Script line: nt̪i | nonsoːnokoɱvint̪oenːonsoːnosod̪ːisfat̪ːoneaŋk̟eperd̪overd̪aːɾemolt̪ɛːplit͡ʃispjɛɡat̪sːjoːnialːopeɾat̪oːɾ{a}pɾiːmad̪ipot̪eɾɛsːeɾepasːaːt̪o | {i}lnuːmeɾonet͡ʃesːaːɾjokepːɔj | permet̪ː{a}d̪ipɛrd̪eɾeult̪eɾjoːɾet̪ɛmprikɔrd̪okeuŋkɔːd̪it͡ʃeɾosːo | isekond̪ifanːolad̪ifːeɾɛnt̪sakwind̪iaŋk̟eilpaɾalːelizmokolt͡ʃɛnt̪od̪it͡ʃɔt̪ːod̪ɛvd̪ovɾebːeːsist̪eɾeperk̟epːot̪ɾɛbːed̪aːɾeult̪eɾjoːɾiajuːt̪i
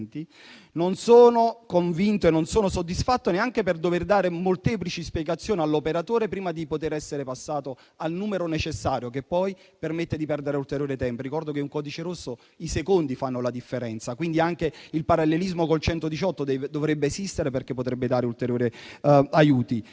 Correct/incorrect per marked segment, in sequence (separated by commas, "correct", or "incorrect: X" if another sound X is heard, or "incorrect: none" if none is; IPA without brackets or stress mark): incorrect: e, incorrect: a, incorrect: e